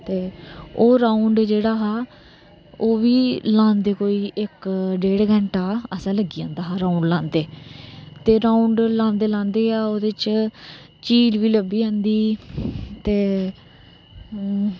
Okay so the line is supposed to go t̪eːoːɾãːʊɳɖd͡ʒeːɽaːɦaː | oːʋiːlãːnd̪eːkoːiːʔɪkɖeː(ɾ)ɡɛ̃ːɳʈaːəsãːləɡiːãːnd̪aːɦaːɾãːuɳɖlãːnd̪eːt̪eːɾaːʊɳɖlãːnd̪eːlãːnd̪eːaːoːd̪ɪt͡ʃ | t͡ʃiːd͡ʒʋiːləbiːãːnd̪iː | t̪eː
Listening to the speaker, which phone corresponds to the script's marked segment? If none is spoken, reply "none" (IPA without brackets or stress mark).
ɽ